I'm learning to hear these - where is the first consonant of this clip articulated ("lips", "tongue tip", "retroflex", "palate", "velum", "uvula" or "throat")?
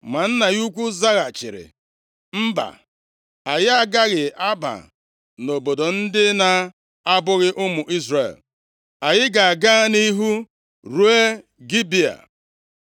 lips